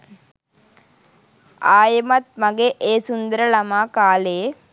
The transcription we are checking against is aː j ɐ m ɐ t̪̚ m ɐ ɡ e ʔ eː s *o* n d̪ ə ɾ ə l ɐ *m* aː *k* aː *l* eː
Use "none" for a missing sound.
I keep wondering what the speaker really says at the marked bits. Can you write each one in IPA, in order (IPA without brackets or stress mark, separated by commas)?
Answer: u, m, k, l